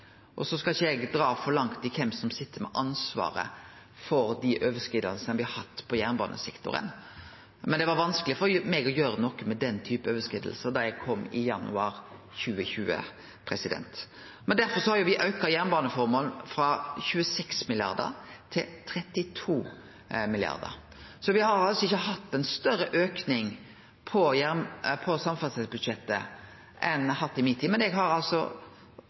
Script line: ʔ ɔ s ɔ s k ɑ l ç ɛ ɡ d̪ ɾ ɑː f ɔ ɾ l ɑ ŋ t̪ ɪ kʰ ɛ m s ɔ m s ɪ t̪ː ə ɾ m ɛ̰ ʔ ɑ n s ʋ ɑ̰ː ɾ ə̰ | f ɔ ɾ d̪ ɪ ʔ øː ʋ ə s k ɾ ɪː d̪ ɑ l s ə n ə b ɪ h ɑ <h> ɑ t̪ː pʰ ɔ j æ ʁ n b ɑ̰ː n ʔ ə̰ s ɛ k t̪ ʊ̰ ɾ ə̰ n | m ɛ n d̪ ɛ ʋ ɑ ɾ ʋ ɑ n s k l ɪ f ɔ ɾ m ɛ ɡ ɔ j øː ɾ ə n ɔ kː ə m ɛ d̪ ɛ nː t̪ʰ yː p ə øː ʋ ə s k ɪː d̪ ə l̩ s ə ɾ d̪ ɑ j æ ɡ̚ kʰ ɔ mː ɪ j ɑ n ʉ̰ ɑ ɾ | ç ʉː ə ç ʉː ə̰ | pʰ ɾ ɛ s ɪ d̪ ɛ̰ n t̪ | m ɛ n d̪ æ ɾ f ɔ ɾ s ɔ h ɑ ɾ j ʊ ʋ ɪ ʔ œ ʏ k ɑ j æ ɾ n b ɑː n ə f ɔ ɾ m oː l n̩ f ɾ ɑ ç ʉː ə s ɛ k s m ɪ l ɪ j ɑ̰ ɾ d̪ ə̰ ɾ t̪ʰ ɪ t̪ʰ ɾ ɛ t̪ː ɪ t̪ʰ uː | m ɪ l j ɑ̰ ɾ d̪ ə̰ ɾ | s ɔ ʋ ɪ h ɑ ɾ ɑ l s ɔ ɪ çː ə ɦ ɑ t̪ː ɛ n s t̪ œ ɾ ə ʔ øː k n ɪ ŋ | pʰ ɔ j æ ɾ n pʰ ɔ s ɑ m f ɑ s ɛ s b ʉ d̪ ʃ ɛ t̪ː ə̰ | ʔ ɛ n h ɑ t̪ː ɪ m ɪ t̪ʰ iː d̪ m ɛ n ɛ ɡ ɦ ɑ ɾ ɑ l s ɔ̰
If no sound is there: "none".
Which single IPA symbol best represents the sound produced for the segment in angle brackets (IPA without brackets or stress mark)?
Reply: h